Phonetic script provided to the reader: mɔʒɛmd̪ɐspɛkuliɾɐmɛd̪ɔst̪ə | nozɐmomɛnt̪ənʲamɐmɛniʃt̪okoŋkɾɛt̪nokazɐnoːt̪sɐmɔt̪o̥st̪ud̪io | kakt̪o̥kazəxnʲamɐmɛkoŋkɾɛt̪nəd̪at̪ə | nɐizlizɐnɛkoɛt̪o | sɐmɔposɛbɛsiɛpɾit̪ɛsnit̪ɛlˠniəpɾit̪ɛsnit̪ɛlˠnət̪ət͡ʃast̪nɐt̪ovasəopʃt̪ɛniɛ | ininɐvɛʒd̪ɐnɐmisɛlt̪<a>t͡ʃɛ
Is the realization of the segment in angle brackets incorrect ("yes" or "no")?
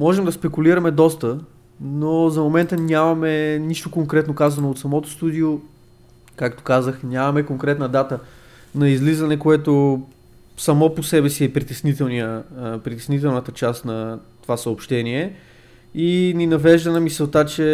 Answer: no